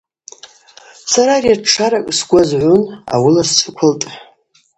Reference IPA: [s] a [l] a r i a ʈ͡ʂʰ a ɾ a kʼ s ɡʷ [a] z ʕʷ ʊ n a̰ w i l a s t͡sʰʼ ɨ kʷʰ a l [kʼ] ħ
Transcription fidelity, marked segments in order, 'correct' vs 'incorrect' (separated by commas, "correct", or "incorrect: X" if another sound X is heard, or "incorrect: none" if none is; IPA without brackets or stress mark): correct, incorrect: ɾ, correct, incorrect: tʼ